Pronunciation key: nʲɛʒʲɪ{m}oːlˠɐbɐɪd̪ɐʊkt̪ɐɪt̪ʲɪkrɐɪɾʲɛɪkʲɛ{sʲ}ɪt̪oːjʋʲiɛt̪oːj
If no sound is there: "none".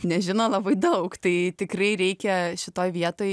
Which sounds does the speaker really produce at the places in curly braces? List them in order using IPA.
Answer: n, ʃʲ

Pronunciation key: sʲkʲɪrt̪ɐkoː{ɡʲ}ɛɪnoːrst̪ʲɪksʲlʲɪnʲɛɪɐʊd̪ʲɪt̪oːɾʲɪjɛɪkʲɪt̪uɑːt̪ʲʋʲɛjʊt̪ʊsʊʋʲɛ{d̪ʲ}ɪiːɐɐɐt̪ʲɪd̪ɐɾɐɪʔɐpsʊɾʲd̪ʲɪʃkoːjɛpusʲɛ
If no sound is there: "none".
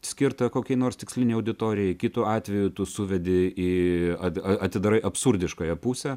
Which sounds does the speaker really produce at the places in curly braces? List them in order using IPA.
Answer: kʲ, d̪ʲ

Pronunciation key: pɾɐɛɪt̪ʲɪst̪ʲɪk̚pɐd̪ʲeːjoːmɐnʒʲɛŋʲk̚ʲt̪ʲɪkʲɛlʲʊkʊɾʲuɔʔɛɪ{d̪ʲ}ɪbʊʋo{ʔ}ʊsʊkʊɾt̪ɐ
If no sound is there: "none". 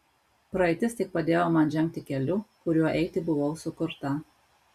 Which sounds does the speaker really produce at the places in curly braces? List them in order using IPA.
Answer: t̪ʲ, none

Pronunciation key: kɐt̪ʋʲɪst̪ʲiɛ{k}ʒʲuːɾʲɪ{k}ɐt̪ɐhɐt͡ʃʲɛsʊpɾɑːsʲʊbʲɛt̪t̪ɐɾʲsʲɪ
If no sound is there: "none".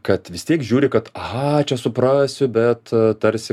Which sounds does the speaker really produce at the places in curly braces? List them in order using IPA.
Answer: k, k

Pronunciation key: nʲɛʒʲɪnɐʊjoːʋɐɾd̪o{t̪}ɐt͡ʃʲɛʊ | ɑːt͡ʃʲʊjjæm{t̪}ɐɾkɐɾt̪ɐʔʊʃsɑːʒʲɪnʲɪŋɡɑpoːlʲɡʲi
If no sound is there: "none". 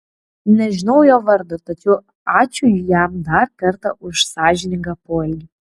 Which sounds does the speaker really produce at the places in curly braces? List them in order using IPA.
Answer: t̪, d̪

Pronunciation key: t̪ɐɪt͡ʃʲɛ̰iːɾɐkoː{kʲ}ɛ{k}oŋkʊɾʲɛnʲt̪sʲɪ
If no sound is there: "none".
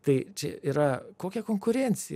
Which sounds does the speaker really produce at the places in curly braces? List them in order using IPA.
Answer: kʲ, k

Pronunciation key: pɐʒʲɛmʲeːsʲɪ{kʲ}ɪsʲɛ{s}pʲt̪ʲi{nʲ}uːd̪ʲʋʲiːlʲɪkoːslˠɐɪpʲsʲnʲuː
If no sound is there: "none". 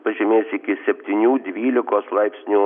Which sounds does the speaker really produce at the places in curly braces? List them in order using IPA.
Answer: kʲ, none, nʲ

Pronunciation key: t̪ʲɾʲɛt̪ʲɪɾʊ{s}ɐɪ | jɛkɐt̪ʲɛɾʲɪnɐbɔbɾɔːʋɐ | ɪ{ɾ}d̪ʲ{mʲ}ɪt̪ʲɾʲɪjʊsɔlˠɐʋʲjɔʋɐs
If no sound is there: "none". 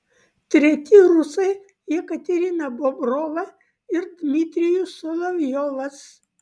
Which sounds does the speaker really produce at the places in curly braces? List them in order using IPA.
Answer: s, ɾ, mʲ

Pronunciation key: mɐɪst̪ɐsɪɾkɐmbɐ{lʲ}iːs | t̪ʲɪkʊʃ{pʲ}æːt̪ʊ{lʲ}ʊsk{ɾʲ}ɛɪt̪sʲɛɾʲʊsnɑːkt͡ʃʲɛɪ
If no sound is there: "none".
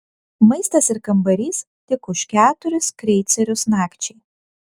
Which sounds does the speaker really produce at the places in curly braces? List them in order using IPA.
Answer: ɾʲ, kʲ, ɾʲ, ɾʲ

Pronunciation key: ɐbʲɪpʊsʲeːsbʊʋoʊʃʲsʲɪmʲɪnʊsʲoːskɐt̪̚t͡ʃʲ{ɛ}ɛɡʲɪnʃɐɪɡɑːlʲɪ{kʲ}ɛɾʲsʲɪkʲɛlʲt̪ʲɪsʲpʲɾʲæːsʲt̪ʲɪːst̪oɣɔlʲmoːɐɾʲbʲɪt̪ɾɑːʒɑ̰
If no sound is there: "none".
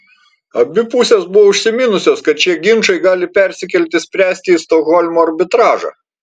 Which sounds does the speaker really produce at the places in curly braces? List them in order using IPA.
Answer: i, pʲ

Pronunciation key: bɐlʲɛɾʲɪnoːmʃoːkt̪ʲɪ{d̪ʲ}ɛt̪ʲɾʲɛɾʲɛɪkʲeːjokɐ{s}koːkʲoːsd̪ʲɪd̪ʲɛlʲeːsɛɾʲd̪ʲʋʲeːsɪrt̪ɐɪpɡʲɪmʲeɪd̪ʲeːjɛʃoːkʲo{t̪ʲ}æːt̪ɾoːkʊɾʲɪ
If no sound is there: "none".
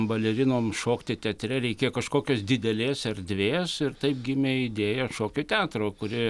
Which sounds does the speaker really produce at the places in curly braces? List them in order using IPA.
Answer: t̪ʲ, ʃ, t̪ʲ

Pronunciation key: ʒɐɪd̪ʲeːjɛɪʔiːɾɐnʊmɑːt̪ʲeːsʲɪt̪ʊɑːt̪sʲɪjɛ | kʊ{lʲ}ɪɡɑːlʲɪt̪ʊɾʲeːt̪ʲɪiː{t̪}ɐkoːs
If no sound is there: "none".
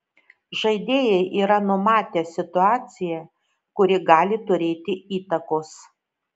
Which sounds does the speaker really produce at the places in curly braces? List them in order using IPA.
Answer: ɾʲ, t̪

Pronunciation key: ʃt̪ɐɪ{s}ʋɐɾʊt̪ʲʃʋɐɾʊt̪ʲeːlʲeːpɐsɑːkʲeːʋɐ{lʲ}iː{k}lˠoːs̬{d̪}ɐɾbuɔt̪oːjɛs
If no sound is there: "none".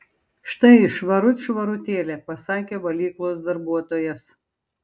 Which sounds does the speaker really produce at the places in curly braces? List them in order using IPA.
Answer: ʃ, lʲ, k, d̪

